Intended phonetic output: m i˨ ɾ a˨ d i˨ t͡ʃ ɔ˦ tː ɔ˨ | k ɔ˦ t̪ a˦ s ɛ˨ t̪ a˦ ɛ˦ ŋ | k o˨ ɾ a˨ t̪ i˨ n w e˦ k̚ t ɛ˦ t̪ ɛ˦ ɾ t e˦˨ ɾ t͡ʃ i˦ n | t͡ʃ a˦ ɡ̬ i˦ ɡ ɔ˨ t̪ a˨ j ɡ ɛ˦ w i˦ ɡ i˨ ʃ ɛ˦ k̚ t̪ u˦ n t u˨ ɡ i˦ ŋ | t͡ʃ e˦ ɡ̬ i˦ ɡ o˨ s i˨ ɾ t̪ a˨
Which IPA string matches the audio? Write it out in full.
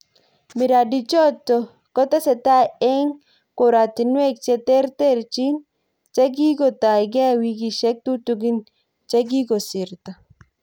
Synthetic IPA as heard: m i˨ ɾ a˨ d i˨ t͡ʃ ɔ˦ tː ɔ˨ | k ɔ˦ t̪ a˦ s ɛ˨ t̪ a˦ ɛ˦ ŋ | k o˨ ɾ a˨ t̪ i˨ n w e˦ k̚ t͡ʃ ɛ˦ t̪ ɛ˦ ɾ t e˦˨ ɾ t͡ʃ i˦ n | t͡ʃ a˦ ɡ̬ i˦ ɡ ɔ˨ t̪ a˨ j ɡ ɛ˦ w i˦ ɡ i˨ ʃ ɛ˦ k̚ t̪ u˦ t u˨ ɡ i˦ n | t͡ʃ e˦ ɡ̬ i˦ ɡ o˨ s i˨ ɾ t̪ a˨